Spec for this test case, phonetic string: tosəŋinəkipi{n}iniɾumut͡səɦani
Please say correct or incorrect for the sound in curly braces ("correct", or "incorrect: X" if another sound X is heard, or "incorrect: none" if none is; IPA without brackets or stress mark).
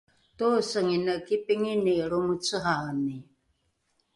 incorrect: ŋ